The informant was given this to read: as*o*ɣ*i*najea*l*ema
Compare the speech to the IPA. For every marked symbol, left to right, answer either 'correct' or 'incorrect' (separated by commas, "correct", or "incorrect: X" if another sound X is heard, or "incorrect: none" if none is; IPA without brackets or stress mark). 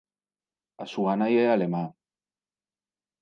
incorrect: u, incorrect: a, correct